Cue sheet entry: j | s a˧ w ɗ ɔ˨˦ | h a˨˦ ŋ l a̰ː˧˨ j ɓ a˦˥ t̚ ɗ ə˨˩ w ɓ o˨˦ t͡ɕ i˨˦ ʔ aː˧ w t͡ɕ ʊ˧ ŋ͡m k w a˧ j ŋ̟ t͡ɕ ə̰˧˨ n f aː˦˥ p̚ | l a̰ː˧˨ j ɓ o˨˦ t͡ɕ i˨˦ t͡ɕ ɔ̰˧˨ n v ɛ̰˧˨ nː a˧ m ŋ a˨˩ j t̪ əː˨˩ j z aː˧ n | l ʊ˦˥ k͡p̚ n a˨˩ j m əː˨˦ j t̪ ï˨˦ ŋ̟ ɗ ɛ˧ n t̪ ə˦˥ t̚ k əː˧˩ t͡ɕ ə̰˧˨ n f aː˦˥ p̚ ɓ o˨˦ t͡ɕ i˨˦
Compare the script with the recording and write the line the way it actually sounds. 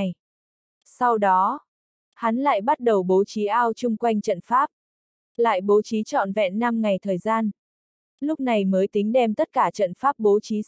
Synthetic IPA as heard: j | s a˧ w ɗ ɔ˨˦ | h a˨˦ n l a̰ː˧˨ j ɓ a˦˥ t̚ ɗ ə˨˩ w ɓ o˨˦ t͡ɕ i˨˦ ʔ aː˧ w t͡ɕ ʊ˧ ŋ͡m k w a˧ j ŋ̟ t͡ɕ ə̰˧˨ n f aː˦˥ p̚ | l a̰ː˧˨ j ɓ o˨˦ t͡ɕ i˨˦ t͡ɕ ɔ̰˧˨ n v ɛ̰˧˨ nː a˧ m ŋ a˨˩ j t̪ʰ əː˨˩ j z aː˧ n | l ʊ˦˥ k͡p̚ n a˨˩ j m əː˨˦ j t̪ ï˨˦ ŋ̟ ɗ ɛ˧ m t̪ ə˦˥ t̚ k aː˧˩ t͡ɕ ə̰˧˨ n f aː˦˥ p̚ ɓ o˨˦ t͡ɕ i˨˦